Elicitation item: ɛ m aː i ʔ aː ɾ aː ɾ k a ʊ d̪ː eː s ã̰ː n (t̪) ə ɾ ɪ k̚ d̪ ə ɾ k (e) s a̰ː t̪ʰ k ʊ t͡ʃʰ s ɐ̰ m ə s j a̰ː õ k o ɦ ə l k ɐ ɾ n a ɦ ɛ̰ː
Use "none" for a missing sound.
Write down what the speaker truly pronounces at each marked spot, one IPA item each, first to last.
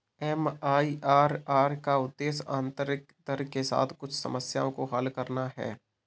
t̪, e

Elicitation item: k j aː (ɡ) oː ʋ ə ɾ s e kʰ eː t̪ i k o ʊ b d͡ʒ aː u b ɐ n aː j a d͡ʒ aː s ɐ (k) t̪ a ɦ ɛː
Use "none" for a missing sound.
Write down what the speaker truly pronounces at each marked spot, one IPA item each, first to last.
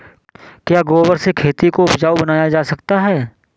ɡ, k

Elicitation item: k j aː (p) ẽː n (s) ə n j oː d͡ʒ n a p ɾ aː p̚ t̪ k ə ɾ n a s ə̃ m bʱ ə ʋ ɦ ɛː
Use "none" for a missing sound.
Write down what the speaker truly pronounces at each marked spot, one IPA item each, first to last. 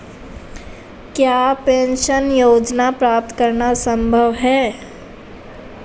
p, ʃ

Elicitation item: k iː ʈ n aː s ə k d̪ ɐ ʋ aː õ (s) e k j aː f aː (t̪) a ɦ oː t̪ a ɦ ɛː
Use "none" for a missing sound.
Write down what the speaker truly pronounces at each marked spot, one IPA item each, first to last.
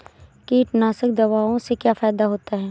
s, d̪

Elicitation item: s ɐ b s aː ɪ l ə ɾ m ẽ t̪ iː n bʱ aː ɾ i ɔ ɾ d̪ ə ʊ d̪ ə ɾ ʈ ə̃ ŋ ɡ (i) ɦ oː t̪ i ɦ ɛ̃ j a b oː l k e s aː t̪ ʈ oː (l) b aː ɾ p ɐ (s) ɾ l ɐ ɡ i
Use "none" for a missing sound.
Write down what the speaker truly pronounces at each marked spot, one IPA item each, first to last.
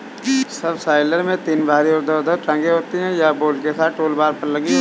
e, l, none

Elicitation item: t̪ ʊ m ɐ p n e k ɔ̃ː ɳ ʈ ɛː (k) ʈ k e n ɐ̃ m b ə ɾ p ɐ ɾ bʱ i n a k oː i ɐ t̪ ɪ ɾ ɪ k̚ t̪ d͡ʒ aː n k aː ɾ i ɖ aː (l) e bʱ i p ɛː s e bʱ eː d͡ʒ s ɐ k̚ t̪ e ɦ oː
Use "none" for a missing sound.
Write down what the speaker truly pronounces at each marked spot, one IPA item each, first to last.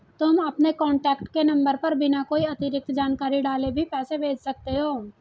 k, l

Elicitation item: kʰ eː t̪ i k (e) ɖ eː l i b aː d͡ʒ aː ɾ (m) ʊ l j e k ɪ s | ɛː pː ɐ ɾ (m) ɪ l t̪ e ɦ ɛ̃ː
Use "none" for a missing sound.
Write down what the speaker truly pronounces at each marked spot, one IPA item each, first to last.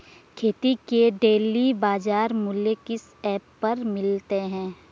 e, m, m

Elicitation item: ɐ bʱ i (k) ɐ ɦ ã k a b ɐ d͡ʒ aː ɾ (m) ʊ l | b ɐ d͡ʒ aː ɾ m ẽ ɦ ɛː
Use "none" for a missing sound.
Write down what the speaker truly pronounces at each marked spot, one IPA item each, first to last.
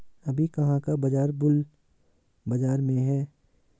k, b

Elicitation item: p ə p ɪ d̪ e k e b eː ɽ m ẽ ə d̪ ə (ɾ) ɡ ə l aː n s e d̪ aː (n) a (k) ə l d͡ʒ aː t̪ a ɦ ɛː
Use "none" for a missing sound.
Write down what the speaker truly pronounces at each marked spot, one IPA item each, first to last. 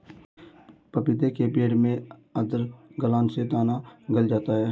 ɾ, n, ɡ

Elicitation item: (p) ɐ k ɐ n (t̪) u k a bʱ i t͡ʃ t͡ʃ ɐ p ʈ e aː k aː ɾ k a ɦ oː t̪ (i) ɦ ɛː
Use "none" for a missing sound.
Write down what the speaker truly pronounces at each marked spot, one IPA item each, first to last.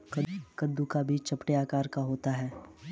k, d̪, a

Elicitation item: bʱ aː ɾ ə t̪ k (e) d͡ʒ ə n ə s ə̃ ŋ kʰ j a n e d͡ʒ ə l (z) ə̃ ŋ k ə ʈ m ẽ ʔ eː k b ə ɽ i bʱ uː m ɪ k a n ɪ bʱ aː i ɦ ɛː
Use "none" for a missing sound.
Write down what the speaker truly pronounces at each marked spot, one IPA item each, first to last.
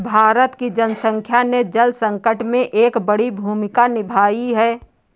i, s

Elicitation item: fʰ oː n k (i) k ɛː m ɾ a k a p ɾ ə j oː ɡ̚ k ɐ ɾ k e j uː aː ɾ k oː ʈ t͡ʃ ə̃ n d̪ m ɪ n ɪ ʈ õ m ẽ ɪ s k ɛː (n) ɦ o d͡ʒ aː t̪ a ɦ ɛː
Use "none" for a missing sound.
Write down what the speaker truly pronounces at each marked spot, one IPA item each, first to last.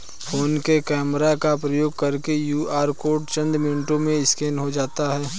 e, n

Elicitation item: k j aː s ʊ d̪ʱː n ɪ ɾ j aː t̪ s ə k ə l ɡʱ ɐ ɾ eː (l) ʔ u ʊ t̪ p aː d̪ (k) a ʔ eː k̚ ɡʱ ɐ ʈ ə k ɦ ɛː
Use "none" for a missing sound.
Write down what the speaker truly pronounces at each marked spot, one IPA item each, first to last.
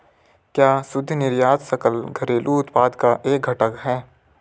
l, k

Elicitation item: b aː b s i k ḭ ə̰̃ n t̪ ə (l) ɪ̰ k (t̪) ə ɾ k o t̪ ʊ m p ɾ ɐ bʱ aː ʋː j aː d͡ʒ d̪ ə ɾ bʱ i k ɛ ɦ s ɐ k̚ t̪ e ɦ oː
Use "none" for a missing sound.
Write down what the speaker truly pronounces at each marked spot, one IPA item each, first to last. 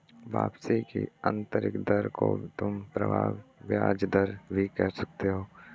ɾ, d̪

